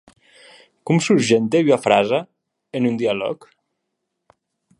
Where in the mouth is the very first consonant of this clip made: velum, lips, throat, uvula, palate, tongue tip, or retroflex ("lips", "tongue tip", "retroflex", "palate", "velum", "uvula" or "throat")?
velum